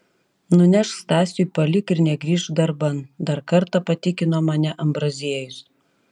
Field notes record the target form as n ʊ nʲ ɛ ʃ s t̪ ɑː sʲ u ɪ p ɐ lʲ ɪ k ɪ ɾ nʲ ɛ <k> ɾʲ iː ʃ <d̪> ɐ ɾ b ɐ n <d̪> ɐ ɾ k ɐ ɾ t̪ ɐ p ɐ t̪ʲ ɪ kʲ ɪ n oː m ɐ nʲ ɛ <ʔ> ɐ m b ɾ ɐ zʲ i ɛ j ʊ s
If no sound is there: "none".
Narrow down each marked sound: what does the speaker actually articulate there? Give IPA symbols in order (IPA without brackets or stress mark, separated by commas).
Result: ɡ, d̪, d̪, ʔ